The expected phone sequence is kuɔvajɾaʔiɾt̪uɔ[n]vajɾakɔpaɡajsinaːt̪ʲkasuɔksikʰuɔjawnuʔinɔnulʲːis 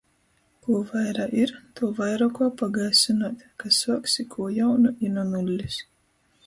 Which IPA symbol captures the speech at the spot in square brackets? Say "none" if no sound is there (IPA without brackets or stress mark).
none